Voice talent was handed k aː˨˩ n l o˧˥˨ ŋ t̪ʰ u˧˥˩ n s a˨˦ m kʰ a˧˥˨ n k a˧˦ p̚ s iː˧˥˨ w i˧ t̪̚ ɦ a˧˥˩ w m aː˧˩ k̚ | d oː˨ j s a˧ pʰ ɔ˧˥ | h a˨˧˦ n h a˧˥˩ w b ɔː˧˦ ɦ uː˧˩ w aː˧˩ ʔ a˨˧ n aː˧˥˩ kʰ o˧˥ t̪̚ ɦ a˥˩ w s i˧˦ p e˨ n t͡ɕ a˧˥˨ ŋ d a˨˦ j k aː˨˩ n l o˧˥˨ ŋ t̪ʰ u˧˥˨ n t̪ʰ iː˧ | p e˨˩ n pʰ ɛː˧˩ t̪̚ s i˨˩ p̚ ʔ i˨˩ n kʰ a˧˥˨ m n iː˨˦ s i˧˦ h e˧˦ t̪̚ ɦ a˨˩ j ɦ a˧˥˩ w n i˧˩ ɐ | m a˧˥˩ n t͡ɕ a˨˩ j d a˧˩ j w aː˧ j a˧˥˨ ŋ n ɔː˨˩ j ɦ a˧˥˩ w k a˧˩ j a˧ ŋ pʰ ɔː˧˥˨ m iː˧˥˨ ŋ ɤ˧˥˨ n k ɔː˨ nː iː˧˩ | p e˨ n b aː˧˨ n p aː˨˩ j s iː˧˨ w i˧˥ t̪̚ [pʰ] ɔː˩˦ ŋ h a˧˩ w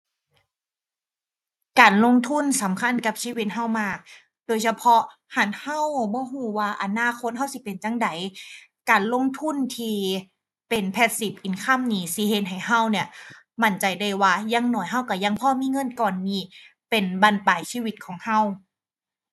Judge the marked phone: incorrect: kʰ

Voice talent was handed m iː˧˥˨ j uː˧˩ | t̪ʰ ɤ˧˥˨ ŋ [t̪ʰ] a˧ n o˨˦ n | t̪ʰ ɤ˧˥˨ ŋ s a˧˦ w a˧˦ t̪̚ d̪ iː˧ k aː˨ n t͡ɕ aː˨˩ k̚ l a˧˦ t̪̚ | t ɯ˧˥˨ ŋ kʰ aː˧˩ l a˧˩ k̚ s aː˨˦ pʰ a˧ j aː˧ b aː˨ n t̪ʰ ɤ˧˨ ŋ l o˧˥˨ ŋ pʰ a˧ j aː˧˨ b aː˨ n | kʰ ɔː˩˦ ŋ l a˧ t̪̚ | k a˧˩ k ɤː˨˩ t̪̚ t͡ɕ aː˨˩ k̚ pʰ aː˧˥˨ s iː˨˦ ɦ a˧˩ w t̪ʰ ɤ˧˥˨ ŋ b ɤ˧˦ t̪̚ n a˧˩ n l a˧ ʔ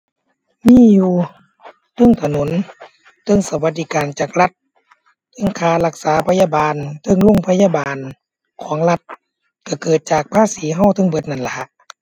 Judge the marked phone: correct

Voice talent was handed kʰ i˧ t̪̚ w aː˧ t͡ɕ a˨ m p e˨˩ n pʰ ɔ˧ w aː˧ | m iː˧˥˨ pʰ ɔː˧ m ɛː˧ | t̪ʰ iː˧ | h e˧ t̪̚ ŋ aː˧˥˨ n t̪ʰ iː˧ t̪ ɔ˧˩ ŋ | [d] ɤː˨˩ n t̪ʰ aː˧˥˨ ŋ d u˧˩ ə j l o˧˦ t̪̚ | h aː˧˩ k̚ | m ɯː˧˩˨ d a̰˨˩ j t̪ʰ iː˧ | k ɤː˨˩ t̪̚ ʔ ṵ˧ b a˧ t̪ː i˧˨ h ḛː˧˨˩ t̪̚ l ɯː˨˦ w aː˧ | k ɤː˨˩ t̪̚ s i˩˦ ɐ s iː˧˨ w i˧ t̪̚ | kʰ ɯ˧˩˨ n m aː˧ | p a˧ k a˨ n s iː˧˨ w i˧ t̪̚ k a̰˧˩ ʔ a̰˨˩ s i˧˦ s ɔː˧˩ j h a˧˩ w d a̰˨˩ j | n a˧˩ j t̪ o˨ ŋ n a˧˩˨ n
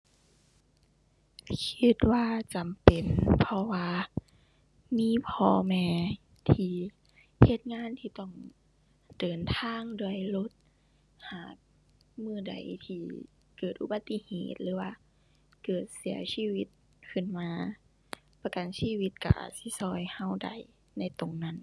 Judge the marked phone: correct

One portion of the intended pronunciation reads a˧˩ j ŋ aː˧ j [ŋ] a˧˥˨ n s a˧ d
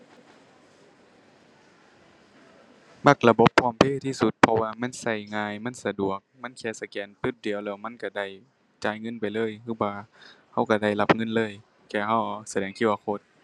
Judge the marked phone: incorrect: m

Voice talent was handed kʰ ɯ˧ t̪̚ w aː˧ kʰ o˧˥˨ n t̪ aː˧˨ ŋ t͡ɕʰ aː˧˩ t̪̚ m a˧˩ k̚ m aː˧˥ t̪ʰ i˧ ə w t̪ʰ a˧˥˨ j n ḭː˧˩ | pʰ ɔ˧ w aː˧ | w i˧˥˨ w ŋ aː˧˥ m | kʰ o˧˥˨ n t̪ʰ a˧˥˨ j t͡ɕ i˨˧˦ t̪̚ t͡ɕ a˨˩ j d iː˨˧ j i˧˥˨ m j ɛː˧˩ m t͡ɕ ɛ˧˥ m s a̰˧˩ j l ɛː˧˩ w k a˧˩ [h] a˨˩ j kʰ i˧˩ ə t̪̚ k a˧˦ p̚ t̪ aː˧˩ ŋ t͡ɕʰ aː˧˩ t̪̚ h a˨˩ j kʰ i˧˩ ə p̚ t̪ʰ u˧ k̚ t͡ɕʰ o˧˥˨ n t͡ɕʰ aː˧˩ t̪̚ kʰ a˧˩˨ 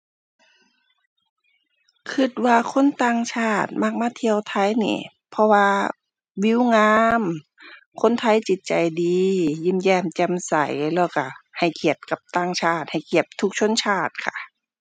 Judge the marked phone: correct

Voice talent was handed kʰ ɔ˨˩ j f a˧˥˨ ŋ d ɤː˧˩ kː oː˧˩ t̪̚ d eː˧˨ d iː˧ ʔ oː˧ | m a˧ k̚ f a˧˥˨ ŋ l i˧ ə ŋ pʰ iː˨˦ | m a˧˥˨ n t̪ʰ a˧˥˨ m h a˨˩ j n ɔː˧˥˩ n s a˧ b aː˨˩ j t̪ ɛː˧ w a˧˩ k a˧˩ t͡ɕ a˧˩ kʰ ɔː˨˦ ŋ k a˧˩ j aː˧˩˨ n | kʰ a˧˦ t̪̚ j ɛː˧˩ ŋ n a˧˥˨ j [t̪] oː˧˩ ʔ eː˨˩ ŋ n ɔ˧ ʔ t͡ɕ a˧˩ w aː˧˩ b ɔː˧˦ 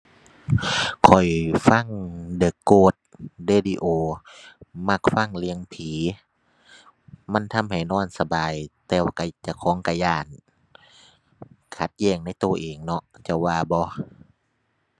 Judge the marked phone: correct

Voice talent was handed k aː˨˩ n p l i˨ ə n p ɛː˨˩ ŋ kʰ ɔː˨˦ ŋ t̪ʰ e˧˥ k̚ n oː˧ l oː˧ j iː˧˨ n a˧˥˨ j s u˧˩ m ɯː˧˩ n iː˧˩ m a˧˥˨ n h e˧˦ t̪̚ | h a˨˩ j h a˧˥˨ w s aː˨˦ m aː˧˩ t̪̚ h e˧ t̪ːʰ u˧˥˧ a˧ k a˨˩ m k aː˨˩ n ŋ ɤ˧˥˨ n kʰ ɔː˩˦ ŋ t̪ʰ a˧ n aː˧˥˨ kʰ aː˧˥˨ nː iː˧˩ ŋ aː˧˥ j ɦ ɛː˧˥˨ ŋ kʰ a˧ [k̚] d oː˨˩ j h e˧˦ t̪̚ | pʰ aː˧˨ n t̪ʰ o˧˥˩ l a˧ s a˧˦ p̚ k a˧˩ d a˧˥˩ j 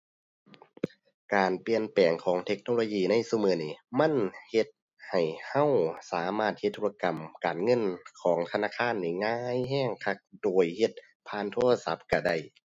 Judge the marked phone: correct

